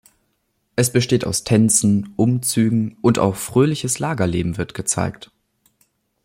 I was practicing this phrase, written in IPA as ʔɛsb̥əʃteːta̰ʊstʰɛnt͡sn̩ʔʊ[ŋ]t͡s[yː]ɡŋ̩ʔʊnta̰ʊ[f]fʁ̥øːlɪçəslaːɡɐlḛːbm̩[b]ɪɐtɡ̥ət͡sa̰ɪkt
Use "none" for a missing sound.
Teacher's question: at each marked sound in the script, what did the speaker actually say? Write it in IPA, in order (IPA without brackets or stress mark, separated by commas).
m, yː, x, v